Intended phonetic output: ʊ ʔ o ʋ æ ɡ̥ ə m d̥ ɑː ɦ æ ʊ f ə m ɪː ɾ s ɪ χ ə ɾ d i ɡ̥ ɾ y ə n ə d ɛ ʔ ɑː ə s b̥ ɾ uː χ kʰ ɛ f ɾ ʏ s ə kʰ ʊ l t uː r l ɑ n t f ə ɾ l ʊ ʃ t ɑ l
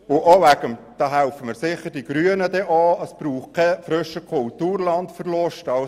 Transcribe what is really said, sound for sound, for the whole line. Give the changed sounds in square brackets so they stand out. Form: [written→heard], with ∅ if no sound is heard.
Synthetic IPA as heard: ʊ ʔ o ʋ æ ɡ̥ ə m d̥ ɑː ɦ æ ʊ f ə m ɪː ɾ s ɪ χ ə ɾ d i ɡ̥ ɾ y ə n ə d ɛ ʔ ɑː ə s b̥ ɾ uː χ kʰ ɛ f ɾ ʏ [s→ʃ] ə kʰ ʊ l t uː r l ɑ n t f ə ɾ l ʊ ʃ t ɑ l